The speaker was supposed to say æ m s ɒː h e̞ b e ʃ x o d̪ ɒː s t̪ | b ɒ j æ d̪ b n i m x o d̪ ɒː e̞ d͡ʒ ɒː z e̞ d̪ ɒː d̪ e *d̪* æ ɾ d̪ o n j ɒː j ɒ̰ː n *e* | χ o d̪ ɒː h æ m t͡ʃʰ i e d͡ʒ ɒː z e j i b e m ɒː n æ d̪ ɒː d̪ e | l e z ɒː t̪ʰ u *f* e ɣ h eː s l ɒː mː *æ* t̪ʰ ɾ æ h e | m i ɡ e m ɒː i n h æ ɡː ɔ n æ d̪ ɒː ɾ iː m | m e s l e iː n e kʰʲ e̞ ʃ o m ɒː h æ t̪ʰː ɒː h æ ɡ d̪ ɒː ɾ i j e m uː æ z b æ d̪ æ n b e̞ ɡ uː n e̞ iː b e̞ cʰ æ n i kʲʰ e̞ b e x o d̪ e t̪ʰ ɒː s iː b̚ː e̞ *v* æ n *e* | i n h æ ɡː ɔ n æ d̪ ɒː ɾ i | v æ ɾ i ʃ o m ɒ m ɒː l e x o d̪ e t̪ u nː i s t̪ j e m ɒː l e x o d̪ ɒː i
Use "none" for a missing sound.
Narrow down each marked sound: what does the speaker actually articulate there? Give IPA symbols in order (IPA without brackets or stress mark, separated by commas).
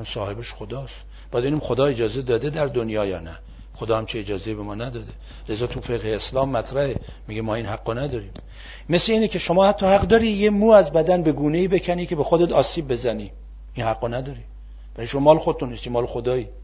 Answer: d̪, æ, f, æ, z, i